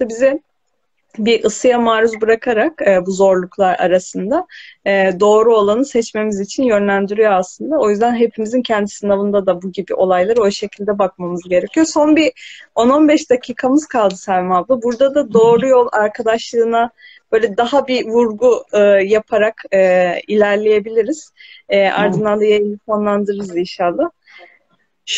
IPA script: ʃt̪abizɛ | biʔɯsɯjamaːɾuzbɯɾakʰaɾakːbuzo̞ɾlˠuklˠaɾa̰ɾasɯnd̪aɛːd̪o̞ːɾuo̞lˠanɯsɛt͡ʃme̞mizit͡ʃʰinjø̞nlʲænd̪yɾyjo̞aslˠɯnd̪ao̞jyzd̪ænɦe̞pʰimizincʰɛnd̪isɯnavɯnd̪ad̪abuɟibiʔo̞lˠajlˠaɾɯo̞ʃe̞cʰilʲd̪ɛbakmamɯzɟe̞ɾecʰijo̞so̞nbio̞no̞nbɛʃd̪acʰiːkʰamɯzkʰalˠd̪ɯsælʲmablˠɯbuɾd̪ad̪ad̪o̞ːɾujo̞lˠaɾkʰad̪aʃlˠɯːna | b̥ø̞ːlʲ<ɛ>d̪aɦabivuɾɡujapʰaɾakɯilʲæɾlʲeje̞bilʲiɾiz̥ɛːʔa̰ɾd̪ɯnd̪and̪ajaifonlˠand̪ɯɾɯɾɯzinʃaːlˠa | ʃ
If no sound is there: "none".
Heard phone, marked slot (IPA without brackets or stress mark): ɛ